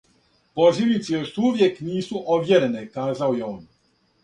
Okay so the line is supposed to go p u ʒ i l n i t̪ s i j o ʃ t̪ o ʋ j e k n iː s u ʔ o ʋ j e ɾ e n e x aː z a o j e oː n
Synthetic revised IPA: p o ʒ i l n i t̪ s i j o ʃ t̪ u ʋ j e k n iː s u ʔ o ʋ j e ɾ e n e k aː z a o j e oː n